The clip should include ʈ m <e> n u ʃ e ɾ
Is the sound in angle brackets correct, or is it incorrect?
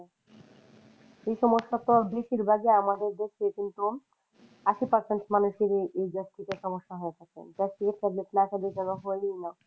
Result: incorrect